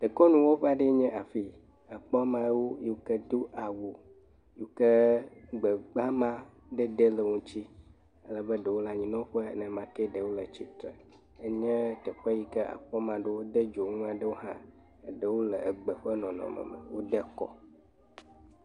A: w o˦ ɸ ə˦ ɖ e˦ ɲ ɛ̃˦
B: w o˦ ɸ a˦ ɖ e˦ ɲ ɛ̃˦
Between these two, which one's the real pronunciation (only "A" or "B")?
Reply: B